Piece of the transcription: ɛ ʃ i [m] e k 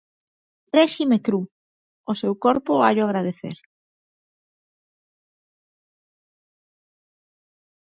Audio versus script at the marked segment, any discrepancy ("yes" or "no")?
no